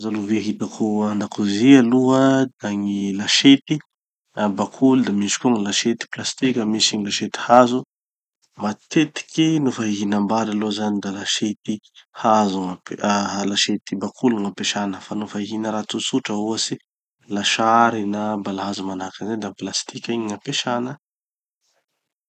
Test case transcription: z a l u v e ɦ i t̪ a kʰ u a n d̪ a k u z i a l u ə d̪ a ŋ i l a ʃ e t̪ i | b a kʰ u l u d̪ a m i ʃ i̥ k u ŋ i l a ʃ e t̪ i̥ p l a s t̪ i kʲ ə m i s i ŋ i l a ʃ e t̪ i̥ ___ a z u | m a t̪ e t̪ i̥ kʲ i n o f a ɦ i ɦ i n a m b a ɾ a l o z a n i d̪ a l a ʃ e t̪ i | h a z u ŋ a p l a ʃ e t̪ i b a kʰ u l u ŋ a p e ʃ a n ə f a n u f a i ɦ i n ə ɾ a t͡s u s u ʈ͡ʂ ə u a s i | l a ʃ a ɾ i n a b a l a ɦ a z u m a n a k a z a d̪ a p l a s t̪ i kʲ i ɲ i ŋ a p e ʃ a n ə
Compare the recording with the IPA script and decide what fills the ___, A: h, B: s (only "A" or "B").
A